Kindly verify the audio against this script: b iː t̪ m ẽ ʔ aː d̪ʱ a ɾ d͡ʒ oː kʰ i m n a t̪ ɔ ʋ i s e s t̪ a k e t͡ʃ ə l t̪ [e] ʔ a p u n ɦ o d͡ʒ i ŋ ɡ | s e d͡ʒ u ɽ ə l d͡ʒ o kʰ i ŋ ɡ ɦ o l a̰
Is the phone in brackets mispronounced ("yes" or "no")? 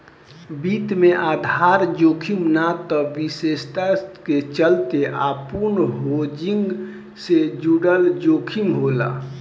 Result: no